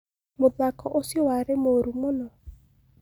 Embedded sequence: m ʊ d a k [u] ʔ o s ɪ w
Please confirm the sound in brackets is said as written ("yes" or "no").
no